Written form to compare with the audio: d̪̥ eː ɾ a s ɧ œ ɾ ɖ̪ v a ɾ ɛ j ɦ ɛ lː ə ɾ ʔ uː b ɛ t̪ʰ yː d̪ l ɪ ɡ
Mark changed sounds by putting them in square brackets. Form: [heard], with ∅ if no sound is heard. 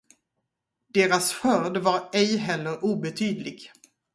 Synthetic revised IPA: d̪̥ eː ɾ a s ɧ œ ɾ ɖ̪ v a ɾ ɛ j ɦ ɛ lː ə ɾ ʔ uː b ɛ t̪ʰ yː d̪ l ɪ ɡ